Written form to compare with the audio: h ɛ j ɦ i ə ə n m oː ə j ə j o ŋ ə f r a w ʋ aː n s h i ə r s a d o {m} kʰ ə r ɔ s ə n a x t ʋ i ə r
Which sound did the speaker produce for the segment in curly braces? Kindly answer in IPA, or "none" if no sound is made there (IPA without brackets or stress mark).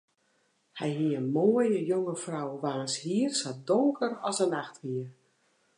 ŋ